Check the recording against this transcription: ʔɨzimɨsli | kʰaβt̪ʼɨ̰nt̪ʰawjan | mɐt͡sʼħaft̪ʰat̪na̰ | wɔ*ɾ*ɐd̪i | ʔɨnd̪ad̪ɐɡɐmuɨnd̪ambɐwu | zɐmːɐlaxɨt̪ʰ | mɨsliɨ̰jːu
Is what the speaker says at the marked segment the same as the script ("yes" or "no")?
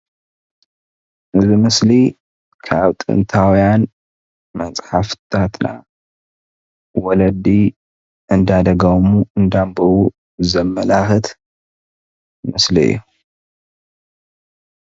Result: no